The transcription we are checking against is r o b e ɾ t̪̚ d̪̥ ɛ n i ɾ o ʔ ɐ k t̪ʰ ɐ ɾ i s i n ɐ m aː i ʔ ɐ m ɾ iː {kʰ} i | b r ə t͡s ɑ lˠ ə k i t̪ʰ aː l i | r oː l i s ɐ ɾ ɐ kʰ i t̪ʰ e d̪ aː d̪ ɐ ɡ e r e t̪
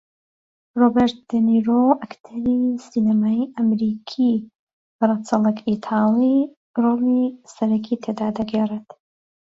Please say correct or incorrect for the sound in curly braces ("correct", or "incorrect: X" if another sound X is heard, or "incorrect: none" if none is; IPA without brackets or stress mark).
correct